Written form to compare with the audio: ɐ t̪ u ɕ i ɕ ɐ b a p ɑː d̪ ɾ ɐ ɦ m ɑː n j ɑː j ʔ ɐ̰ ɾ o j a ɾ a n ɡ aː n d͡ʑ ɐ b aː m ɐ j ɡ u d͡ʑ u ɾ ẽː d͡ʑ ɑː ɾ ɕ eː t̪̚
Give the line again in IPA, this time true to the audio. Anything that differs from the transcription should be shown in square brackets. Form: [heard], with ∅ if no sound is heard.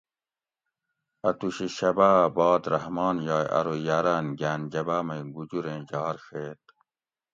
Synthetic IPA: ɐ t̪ u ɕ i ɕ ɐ b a [b] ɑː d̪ ɾ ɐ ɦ m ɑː n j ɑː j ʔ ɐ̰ ɾ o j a ɾ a n ɡ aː n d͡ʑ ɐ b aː m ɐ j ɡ u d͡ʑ u ɾ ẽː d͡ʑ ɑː ɾ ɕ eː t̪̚

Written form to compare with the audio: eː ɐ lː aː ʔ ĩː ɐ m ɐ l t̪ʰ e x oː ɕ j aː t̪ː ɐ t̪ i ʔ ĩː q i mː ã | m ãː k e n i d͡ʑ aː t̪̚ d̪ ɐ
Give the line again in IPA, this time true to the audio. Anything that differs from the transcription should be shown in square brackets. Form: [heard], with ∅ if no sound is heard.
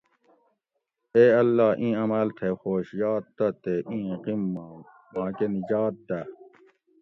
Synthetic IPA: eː ɐ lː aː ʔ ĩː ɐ m ɐ l t̪ʰ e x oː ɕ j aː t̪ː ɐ t̪ [e] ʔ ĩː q i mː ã | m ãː k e n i d͡ʑ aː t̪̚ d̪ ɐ

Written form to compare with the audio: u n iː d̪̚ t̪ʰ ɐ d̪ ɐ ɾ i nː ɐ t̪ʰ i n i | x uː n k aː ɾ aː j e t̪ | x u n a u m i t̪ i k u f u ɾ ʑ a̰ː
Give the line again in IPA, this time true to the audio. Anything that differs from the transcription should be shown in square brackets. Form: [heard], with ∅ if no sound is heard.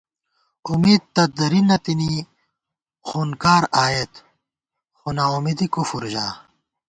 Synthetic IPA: u [m] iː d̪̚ [t̪] ɐ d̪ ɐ ɾ i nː ɐ [t̪] i n i | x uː n k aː ɾ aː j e t̪ | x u n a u m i [d̪] i k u f u ɾ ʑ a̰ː

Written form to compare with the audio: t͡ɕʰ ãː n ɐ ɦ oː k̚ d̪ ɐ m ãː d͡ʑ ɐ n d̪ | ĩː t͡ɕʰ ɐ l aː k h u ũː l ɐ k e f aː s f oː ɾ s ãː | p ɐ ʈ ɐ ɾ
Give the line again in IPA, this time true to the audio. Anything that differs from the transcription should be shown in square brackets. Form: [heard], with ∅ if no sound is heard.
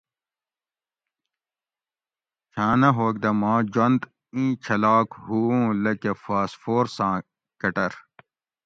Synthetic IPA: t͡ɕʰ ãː n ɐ ɦ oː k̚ d̪ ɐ m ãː d͡ʑ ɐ n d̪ | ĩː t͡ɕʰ ɐ l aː k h u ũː l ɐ k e f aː s f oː ɾ s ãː | [k] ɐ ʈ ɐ ɾ

